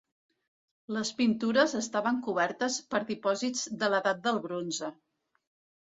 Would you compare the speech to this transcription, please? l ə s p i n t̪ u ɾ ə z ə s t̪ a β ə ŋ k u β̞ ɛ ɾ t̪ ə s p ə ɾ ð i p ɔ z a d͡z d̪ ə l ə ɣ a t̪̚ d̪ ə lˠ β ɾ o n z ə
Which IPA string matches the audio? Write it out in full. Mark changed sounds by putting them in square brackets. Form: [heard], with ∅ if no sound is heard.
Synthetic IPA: l ə s p i n t̪ u ɾ ə z ə s t̪ a β ə ŋ k u β̞ ɛ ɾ t̪ ə s p ə ɾ ð i p ɔ z [i] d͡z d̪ ə l ə [ð] a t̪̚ d̪ ə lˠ β ɾ o n z ə